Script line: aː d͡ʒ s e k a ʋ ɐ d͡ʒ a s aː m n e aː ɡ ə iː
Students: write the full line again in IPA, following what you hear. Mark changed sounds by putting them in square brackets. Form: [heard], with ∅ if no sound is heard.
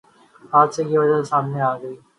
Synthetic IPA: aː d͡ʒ s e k [i] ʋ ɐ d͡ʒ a s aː m n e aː ɡ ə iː